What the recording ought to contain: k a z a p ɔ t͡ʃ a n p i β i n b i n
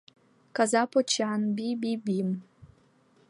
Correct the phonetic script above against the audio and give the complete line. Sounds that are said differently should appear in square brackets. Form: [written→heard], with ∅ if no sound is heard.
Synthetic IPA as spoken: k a z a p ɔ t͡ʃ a n [p→b] i [β→b] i [n→∅] b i [n→m]